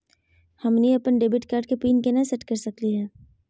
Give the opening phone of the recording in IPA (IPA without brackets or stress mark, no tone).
h